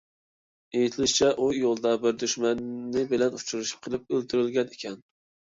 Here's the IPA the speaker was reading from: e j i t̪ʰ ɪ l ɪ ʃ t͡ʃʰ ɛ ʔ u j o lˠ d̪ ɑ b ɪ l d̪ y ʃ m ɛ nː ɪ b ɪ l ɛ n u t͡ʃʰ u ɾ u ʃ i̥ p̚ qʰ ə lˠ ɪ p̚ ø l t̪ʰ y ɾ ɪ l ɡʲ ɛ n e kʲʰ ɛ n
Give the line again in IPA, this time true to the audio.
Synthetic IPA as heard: e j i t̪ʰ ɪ l ɪ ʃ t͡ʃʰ ɛ ʔ u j o lˠ d̪ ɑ b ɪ ɾ d̪ y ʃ m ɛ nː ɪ b ɪ l ɛ n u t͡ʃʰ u ɾ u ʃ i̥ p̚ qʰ ə lˠ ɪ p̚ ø l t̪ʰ y ɾ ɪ l ɡʲ ɛ n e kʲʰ ɛ n

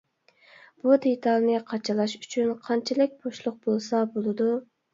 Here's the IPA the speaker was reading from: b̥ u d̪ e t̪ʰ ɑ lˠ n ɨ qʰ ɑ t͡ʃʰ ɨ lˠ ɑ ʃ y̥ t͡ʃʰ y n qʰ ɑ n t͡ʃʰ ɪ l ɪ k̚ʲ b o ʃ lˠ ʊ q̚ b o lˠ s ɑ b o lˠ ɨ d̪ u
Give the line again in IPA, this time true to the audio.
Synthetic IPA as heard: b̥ u d̪ e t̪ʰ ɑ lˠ n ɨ qʰ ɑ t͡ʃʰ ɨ lˠ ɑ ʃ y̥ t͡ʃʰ y n qʰ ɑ n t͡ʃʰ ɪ l ɪ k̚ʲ b o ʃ lˠ ʊ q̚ b o lˠ s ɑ b o lˠ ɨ d̪ u

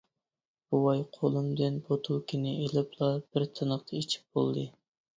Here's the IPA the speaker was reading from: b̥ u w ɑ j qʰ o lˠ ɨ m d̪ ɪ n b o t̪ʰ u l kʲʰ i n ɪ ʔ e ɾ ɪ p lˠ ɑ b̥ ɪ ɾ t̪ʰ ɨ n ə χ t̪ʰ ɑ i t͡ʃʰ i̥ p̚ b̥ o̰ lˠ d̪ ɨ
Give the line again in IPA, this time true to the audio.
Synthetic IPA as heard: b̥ u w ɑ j qʰ o lˠ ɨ m d̪ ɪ n b o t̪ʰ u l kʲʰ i n ɪ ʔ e l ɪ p lˠ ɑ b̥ ɪ ɾ t̪ʰ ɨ n ə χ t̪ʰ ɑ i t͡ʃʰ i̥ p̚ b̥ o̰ lˠ d̪ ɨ

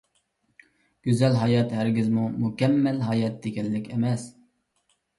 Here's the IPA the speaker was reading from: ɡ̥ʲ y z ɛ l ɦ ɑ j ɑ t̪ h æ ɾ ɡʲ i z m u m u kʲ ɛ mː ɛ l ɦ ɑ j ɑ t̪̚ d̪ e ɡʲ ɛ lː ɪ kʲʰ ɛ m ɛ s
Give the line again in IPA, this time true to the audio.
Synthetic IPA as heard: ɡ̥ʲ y z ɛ l ɦ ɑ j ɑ t̪ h æ ɾ ɡʲ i z m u m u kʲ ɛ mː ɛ l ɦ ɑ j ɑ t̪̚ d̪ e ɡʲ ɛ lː ɪ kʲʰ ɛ m ɛ s

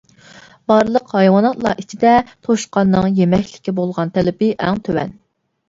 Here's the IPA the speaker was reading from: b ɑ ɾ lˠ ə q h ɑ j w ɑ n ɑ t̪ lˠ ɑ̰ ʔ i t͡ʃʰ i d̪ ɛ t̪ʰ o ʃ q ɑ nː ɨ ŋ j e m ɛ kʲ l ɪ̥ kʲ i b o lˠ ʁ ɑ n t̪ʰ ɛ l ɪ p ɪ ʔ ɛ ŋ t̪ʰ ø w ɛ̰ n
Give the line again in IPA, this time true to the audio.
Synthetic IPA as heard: b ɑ ɾ lˠ ə q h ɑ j w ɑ n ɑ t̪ lˠ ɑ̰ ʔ i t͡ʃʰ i d̪ ɛ t̪ʰ o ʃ q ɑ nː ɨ ŋ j e m ɛ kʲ l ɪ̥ kʲ i b o lˠ ʁ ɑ n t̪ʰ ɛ l ɪ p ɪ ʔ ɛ ŋ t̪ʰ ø w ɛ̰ n

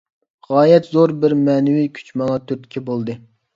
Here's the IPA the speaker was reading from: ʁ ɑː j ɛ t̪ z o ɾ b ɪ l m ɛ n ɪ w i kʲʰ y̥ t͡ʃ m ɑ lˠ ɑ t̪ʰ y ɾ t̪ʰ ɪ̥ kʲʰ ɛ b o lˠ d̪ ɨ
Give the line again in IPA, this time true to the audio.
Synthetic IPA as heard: ʁ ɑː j ɛ t̪ z o ɾ b ɪ ɾ m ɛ n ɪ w i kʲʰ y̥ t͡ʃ m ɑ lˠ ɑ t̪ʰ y ɾ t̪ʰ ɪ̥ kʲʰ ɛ b o lˠ d̪ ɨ

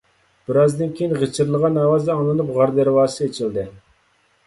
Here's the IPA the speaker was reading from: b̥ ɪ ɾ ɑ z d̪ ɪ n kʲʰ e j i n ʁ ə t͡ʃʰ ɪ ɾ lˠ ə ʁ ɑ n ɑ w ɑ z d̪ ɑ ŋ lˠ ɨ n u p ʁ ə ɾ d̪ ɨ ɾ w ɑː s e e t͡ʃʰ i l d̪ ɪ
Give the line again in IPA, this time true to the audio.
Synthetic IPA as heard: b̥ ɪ ɾ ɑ z d̪ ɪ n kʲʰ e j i n ʁ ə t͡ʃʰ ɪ ɾ lˠ ə ʁ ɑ n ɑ w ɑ z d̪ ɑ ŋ lˠ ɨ n u p ʁ ɑ ɾ d̪ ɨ ɾ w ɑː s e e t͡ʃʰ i l d̪ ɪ

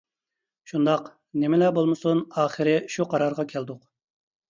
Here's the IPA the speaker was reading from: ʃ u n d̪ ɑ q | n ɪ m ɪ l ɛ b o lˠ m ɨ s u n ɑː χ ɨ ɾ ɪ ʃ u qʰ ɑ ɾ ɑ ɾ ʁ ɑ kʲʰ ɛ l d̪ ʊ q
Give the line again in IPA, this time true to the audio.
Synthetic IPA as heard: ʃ u n d̪ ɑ q | n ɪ m ɪ l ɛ b o lˠ m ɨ s u n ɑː χ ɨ ɾ ɪ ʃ u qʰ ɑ ɾ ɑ ɾ ʁ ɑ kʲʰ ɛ l d̪ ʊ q

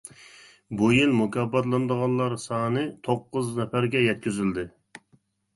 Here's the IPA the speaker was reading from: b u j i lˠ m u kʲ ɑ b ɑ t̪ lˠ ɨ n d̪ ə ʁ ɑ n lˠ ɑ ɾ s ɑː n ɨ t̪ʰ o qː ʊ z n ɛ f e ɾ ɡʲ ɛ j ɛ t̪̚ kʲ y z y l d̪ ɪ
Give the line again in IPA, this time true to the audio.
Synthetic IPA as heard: b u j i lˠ m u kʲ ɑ b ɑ t̪ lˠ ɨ n d̪ ə ʁ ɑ n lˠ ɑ ɾ s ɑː n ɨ t̪ʰ o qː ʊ z n ɛ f æ ɾ ɡʲ ɛ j ɛ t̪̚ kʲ y z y l d̪ ɪ

